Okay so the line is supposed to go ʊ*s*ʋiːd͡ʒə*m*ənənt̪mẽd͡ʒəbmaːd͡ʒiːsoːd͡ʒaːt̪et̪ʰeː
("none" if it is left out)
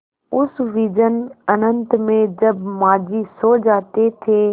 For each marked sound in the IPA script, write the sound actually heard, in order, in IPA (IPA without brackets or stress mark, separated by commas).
s, n